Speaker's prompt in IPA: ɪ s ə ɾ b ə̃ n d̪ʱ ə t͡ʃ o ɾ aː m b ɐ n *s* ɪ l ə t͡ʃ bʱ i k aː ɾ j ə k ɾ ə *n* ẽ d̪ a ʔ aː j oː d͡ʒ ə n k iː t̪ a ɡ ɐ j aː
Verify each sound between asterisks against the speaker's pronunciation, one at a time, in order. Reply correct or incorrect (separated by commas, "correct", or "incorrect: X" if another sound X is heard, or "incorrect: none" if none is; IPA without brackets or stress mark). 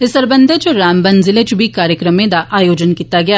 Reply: incorrect: z, incorrect: m